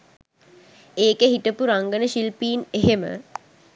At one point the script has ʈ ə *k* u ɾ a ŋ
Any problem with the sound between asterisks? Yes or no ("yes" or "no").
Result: yes